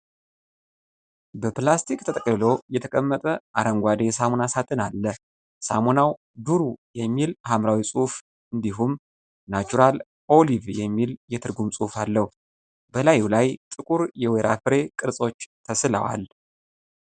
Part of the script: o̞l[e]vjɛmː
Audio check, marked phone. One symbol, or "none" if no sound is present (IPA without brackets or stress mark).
i